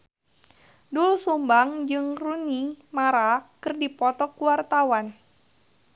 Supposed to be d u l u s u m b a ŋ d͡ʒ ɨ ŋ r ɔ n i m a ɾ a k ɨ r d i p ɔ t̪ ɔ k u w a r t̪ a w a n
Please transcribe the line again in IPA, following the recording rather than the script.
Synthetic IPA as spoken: d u l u s u m b a ŋ d͡ʒ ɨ ŋ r u n i m a ɾ a k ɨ r d i p ɔ t̪ ɔ k u w a r t̪ a w a n

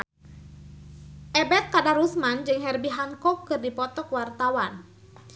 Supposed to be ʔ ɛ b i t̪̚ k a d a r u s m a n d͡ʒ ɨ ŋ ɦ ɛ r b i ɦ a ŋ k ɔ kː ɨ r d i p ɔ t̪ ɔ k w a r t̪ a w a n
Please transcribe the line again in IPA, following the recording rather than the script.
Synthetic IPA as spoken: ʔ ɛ b ɛ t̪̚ k a d a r u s m a n d͡ʒ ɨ ŋ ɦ ɛ r b i ɦ a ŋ k ɔ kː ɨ r d i p ɔ t̪ ɔ k w a r t̪ a w a n

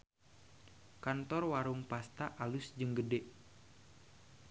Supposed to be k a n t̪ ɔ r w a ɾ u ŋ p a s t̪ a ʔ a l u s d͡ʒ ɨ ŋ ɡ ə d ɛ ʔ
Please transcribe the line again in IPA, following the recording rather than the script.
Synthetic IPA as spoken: k a n t̪ ɔ r w a ɾ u ŋ p a s t̪ a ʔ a l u s d͡ʒ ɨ ŋ ɡ ə d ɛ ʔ

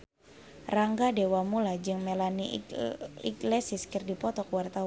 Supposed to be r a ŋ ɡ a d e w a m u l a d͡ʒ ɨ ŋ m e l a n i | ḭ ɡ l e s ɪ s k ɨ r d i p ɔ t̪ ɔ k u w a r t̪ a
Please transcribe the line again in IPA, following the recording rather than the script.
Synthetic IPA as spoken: r a ŋ ɡ a d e w a m u l a d͡ʒ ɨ ŋ m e l a n i | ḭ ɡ l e s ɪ s k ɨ r d i p ɔ t̪ ɔ k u w a r t̪ a

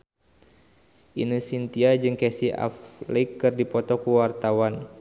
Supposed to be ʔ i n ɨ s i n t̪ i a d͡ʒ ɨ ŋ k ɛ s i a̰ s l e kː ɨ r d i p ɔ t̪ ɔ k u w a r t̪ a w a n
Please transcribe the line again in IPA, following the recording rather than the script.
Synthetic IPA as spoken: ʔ i n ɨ s i n t̪ i a d͡ʒ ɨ ŋ k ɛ s i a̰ f l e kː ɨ r d i p ɔ t̪ ɔ k u w a r t̪ a w a n

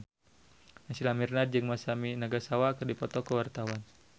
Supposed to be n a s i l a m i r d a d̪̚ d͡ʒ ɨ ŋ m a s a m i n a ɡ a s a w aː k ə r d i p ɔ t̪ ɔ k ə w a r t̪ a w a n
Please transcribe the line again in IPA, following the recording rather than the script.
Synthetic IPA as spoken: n a s i l a m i r n a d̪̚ d͡ʒ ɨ ŋ m a s a m i n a ɡ a s a w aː k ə r d i p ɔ t̪ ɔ k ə w a r t̪ a w a n

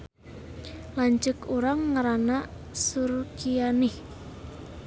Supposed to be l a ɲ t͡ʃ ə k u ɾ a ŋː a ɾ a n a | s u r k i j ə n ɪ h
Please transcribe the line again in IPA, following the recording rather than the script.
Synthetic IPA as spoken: l a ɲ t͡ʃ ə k u ɾ a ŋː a ɾ a n a | s u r k i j a n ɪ h

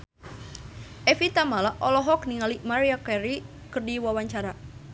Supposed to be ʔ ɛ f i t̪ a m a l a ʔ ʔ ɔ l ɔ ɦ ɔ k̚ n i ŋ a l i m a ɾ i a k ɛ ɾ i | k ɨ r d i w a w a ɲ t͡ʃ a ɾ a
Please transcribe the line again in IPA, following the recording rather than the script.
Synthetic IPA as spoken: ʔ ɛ f i t̪ a m a l a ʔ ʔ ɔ l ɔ ɦ ɔ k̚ n i ŋ a l i m a ɾ i a k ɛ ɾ i | k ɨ r d i w a w a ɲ t͡ʃ a ɾ a

